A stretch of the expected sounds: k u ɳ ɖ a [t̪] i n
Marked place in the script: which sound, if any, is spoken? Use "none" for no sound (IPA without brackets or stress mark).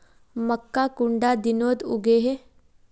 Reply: d̪